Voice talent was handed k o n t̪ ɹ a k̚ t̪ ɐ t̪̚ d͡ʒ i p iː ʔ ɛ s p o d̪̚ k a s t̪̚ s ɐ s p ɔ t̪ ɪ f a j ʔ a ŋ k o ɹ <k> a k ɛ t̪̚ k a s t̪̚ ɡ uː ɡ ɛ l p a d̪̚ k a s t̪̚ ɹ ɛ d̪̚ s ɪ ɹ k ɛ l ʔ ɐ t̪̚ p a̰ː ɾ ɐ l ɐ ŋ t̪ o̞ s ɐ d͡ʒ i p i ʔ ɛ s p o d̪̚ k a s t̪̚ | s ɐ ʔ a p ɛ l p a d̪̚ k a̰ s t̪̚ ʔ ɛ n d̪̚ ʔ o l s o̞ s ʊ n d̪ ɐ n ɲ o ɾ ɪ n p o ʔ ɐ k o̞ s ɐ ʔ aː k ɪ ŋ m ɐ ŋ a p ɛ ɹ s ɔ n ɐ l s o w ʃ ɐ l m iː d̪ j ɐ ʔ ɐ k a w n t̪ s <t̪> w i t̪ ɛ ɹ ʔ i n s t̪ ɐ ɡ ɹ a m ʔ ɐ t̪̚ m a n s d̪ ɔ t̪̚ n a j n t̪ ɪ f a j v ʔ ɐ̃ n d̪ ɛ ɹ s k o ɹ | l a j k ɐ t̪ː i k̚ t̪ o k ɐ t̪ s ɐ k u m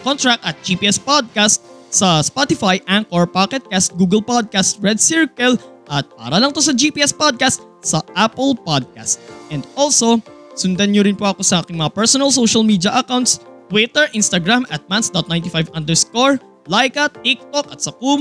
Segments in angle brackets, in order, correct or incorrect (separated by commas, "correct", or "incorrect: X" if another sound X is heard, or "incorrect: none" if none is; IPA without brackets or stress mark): incorrect: p, correct